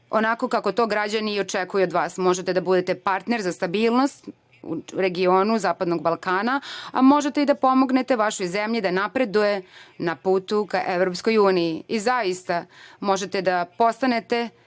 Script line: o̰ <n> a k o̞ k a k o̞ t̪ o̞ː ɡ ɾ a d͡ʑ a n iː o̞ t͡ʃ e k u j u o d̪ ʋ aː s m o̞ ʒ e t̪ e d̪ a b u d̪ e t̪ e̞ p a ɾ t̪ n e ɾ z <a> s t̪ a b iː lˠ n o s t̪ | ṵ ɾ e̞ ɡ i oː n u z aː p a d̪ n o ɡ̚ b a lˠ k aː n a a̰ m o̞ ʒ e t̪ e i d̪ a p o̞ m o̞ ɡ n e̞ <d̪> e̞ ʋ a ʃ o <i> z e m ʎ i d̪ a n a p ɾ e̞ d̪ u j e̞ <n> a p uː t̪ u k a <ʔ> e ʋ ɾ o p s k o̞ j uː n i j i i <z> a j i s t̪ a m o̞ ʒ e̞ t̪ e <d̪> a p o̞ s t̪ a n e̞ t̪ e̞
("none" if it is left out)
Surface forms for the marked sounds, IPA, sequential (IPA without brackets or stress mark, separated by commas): n, a, t̪, j, n, ʔ, z, d̪